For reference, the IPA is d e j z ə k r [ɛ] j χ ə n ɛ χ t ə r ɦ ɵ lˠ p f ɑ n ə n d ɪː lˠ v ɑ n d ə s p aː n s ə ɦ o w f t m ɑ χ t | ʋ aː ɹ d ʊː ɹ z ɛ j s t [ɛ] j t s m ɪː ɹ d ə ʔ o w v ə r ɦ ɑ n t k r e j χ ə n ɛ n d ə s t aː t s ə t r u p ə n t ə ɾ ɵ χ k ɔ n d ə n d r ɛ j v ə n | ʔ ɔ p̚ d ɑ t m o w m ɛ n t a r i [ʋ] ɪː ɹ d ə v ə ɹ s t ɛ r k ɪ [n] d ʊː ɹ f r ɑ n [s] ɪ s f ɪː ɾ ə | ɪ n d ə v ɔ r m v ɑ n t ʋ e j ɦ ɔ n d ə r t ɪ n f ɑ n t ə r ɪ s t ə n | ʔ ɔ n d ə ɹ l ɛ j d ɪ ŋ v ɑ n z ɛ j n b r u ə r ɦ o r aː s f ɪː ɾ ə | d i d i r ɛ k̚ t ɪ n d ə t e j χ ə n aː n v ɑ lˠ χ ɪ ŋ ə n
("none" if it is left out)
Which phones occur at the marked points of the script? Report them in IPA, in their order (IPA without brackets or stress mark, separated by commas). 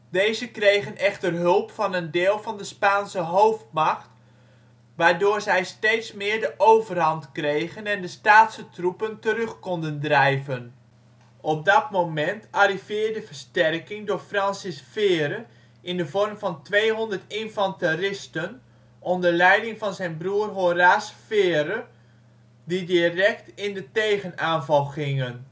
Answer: e, e, v, ŋ, s